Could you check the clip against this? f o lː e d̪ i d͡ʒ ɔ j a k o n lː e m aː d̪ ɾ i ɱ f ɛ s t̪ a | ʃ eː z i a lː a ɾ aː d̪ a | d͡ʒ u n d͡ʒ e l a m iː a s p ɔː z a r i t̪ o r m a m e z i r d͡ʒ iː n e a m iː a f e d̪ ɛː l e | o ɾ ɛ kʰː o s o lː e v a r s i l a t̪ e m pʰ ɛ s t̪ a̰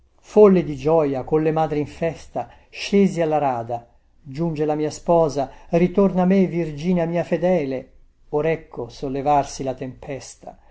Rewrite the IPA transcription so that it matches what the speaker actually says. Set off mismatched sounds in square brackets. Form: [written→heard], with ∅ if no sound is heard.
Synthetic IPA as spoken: f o lː e d̪ i d͡ʒ ɔ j a k o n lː e m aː d̪ ɾ i ɱ f ɛ s t̪ a | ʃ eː z i a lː a ɾ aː d̪ a | d͡ʒ u n d͡ʒ e l a m iː a s p ɔː z a r i t̪ o r [m→n] a m e [z→v] i r d͡ʒ iː n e a m iː a f e d̪ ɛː l e | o ɾ ɛ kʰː o s o lː e v a r s i l a t̪ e m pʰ ɛ s t̪ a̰

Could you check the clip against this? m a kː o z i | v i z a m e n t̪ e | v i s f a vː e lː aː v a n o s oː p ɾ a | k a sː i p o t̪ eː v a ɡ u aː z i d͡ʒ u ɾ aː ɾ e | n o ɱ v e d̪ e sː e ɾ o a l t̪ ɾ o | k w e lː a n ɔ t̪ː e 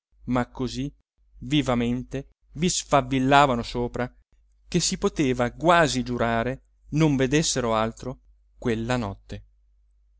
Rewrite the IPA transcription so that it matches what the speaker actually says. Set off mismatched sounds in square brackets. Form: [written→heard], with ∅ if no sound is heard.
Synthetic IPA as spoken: m a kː o z i | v i [z→v] a m e n t̪ e | v i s f a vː [e→i] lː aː v a n o s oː p ɾ a | k [a→e] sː i p o t̪ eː v a ɡ [u→w] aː z i d͡ʒ u ɾ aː ɾ e | n o ɱ v e d̪ e sː e ɾ o a l t̪ ɾ o | k w e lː a n ɔ t̪ː e

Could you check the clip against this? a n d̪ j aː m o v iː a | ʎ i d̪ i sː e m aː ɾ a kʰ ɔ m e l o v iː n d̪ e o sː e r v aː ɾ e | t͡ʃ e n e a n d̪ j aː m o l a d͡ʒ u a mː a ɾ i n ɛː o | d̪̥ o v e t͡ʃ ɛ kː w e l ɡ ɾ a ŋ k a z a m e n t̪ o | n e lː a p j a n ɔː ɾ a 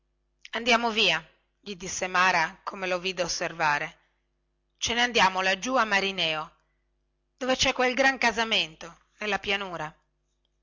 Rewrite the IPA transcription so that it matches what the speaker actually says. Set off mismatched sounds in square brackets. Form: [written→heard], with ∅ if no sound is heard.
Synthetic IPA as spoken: a n d̪ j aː m o v iː a | ʎ i d̪ i sː e m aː ɾ a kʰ [ɔ→o] m e l o v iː [n→∅] d̪ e o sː e r v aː ɾ e | t͡ʃ e n e a n d̪ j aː m o l a d͡ʒ u a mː a ɾ i n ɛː o | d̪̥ o v e t͡ʃ ɛ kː w e l ɡ ɾ a ŋ k a z a m e n t̪ o | n e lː a p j a n [ɔː→uː] ɾ a

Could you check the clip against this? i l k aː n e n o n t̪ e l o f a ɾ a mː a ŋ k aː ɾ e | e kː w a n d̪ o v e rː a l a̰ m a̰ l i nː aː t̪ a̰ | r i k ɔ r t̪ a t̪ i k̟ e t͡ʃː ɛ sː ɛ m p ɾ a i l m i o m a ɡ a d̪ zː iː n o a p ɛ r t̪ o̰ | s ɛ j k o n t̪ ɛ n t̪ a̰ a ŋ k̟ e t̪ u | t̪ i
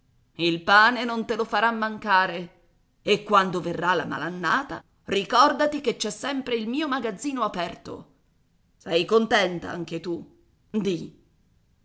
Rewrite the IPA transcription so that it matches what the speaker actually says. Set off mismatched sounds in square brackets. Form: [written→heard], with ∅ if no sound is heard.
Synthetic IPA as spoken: i l [k→p] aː n e n o n t̪ e l o f a ɾ a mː a ŋ k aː ɾ e | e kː w a n d̪ o v e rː a l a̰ m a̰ l [i→a] nː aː t̪ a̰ | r i k ɔ r [t̪→d̪] a t̪ i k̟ e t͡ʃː ɛ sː ɛ m p ɾ [a→e] i l m [i→iː] o m a ɡ a d̪ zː iː n o a p ɛ r t̪ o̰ | s ɛ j k o n t̪ ɛ n t̪ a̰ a ŋ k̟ e t̪ u | [t̪→d̪] i

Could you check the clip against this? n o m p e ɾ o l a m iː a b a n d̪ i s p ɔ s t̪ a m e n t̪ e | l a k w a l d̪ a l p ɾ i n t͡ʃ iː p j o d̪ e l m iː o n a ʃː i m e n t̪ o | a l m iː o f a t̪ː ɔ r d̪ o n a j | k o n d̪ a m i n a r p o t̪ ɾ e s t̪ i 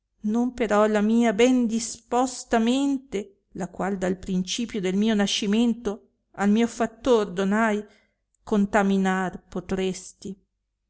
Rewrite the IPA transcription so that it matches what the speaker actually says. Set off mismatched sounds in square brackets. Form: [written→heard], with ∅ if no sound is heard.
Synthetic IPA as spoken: n o m p e ɾ [o→ɔ] l a m iː a b [a→ɛ] n d̪ i s p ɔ s t̪ a m e n t̪ e | l a k w a l d̪ a l p ɾ i n t͡ʃ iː p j o d̪ e l m iː o n a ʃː i m e n t̪ o | a l m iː o f a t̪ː [ɔ→o] r d̪ o n a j | k o n [d̪→t̪] a m i n a r p o t̪ ɾ e s t̪ i

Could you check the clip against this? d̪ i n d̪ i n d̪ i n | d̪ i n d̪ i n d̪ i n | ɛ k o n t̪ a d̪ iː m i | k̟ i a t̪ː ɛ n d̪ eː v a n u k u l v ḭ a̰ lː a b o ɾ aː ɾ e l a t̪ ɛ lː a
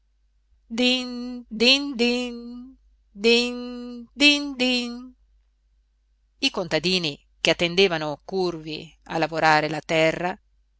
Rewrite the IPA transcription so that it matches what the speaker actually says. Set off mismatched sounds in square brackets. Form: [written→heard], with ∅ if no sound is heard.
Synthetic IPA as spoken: d̪ i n d̪ i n d̪ i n | d̪ i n d̪ i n d̪ i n | [ɛ→i] k o n t̪ a d̪ iː [m→n] i | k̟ [i→e] a t̪ː [ɛ→e] n d̪ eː v a n [u→o] k u [l→r] v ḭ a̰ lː a [b→v] o ɾ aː ɾ e l a t̪ ɛ [lː→rː] a

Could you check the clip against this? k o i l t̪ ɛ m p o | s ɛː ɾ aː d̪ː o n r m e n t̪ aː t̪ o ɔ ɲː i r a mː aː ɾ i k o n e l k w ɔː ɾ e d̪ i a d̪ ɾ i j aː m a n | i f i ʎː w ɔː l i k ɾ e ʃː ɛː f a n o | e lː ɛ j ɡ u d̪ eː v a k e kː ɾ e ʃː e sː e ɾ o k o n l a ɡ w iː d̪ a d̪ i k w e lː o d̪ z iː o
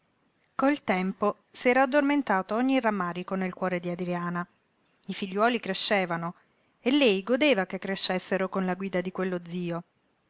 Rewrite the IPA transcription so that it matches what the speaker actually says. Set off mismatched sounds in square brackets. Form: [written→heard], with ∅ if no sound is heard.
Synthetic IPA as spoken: k o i l t̪ ɛ m p o | s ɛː ɾ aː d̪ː o [n→∅] r m e n t̪ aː t̪ o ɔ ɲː i r a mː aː ɾ i k o n e l k w ɔː ɾ e d̪ i a d̪ ɾ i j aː [m→n] a [n→∅] | i f i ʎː w ɔː l i k ɾ e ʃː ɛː [f→v] a n o | e lː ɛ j ɡ [u→o] d̪ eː v a k e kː ɾ e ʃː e sː e ɾ o k o n l a ɡ w iː d̪ a d̪ i k w e lː o d̪ z iː o

